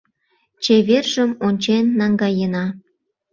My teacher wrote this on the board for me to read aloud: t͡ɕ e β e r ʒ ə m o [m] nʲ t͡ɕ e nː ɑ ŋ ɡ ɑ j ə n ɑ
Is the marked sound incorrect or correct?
incorrect